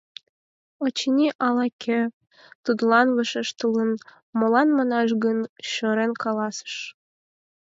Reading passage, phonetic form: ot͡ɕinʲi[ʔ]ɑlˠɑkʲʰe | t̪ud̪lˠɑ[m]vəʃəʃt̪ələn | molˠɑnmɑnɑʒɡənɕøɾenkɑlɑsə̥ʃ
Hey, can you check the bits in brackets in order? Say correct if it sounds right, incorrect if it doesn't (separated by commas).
correct, incorrect